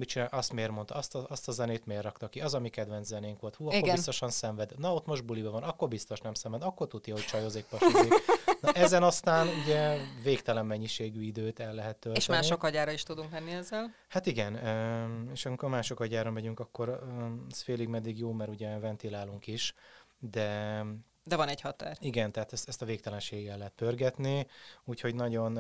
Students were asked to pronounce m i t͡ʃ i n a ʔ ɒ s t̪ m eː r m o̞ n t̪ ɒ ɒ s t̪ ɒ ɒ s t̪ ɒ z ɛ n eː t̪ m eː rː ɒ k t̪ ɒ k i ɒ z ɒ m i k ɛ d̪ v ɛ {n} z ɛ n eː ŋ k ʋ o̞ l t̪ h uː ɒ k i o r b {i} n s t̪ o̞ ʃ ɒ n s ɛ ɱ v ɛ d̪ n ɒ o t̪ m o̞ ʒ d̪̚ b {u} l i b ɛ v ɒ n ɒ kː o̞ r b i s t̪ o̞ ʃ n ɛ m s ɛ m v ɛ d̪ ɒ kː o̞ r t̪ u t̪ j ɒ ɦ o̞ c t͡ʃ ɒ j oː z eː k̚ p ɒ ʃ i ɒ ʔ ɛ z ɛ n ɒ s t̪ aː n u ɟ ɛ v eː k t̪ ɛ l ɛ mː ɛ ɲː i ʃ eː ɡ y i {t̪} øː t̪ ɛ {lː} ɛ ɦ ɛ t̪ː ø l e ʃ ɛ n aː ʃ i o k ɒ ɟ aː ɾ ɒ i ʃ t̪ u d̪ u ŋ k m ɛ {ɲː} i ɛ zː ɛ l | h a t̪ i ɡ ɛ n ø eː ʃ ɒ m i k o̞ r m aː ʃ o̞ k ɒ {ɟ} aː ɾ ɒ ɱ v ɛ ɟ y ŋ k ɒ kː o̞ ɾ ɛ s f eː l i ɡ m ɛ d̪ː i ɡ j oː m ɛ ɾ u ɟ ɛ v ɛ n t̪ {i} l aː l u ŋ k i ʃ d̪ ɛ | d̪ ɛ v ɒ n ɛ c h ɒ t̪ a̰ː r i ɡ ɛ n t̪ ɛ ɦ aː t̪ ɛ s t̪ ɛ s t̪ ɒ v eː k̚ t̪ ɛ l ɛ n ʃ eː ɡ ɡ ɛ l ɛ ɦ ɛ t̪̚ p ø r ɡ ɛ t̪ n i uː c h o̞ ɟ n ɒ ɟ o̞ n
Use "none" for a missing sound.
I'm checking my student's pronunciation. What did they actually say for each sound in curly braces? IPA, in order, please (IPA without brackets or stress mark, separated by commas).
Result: n, i, u, d̪, lː, nː, ɟ, i